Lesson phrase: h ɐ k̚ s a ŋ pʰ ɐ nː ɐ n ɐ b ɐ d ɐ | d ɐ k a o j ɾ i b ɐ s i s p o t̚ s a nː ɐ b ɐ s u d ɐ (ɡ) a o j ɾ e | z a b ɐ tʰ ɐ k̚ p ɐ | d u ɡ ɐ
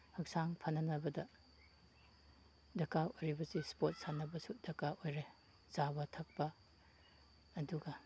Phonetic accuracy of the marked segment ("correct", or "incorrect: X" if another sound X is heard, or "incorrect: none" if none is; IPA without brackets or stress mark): incorrect: k